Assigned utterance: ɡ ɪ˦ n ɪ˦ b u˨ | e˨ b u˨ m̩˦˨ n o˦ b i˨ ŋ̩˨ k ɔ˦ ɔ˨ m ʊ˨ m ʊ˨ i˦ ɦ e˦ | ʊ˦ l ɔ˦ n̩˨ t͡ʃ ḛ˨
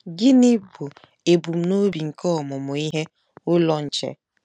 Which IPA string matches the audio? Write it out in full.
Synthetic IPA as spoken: ɡ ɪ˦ n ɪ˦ b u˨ | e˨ b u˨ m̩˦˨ n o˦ b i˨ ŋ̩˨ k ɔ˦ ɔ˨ m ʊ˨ m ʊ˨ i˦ ɦ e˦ | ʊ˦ l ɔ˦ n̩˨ t͡ʃ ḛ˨